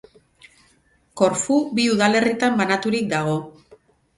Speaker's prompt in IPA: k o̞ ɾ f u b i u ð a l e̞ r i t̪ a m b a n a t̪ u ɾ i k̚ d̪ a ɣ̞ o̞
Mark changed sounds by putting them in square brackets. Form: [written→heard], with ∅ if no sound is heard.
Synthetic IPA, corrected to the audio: k o̞ ɾ f u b i u ð a l e̞ r i t̪ a m b a n a t̪ u ɾ i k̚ d̪ a ɣ̞ o̞

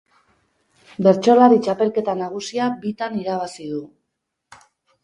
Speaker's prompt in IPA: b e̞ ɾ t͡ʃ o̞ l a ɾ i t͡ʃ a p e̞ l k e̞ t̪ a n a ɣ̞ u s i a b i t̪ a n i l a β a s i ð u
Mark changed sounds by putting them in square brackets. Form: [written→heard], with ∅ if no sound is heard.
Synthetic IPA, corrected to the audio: b e̞ ɾ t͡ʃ o̞ l a ɾ i t͡ʃ a p e̞ l k e̞ t̪ a n a ɣ̞ u s i a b i t̪ a n i [l→ɾ] a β a s i ð u

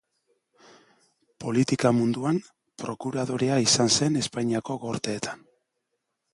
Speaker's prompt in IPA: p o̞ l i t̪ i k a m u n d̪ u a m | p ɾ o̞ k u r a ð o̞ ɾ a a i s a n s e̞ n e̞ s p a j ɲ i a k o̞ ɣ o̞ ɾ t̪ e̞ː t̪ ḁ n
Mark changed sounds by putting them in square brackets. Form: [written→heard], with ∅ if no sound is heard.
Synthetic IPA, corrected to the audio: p o̞ l i t̪ i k a m u n d̪ u a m | p ɾ o̞ k u [r→ɾ] a ð o̞ ɾ [a→e] a i s a n s e̞ n e̞ s p a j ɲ i a k o̞ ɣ o̞ ɾ t̪ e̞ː t̪ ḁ n

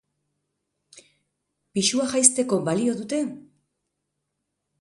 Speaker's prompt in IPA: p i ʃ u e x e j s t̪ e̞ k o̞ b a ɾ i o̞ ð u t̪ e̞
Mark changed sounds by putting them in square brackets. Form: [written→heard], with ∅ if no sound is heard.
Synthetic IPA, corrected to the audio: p i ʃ u [e→a] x [e→a] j s t̪ e̞ k o̞ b a [ɾ→l] i o̞ ð u t̪ e̞

